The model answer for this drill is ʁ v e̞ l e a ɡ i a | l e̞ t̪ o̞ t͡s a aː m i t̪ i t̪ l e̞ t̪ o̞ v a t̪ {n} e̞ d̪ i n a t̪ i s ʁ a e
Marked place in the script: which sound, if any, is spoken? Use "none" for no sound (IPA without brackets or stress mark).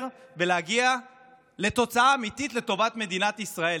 m